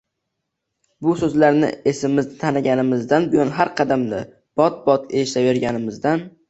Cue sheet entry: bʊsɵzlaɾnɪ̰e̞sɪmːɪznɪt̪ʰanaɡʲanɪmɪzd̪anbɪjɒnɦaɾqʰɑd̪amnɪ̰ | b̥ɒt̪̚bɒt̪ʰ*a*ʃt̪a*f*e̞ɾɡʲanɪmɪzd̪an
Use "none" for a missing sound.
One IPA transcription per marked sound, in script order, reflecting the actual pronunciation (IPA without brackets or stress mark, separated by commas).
e, v